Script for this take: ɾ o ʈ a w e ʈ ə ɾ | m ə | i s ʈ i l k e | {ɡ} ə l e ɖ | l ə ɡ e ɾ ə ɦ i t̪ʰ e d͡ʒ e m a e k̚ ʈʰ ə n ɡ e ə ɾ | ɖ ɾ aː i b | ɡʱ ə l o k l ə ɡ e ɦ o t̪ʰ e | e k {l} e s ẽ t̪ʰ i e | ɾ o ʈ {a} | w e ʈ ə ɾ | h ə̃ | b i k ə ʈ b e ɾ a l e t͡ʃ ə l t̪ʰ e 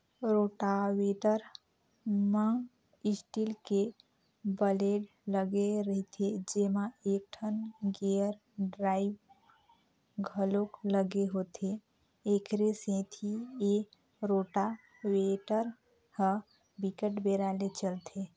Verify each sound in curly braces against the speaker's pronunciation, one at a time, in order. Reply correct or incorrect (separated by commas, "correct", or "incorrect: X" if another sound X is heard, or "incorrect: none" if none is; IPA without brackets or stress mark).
incorrect: b, incorrect: ɾ, correct